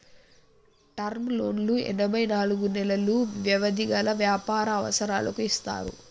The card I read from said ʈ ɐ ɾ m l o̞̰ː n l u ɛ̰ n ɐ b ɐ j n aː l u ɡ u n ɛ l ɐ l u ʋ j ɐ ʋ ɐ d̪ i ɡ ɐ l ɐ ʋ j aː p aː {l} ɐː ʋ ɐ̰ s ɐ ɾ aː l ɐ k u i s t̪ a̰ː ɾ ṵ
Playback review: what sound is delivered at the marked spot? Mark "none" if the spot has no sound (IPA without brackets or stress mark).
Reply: ɾ